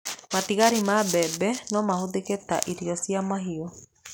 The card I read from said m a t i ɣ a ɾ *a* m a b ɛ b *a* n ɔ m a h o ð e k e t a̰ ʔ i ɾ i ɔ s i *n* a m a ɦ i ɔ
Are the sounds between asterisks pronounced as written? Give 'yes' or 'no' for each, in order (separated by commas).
no, no, no